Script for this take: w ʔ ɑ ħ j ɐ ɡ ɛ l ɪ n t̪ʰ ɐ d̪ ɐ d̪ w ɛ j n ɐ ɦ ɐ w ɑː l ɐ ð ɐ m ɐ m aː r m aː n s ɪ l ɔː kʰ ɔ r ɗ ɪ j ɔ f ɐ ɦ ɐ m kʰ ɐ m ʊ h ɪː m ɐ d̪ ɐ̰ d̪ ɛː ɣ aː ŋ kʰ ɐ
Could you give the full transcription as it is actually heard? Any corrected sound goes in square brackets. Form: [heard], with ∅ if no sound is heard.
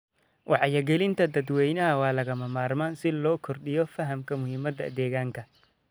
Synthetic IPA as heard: w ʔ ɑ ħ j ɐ ɡ ɛ l ɪ n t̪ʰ ɐ d̪ ɐ d̪ w ɛ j n ɐ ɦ ɐ w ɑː l ɐ [ɣ] ɐ m ɐ m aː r m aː n s ɪ l ɔː kʰ ɔ r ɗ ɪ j ɔ f ɐ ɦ ɐ m kʰ ɐ m ʊ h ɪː m ɐ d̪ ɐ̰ d̪ ɛː ɣ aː ŋ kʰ ɐ